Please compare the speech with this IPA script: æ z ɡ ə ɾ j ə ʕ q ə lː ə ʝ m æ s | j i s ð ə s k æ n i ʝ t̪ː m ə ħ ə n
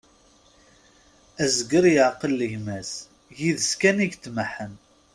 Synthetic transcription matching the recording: æ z ɡ ə ɾ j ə ʕ q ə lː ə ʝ m æ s | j i ð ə s k æ n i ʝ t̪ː m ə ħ ə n